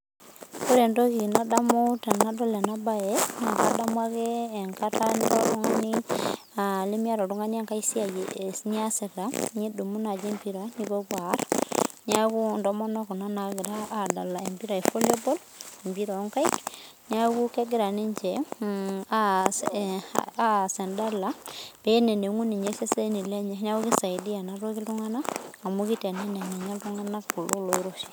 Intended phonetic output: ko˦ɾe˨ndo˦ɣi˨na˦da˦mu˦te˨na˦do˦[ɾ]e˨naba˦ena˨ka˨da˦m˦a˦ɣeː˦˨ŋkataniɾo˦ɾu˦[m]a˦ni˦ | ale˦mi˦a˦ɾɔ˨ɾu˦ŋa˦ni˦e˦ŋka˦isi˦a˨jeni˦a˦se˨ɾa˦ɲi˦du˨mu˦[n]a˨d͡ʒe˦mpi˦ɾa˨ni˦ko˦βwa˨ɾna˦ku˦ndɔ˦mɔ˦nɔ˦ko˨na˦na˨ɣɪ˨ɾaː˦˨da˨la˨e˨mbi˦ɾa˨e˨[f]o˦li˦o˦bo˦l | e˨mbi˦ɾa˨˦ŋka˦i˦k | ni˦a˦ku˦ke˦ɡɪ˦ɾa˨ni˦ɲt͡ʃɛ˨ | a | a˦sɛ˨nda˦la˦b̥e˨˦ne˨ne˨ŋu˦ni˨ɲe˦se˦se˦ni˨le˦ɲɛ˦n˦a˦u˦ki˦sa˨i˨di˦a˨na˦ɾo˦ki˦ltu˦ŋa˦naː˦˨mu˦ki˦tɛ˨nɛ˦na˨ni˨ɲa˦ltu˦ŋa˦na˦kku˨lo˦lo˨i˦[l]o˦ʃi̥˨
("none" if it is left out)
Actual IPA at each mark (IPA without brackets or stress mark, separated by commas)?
l, ŋ, n, f, ɾ